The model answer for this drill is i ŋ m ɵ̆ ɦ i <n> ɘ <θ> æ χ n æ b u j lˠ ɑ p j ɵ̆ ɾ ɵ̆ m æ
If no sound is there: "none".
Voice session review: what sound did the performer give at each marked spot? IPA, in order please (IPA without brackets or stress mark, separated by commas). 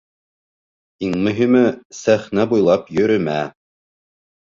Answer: m, s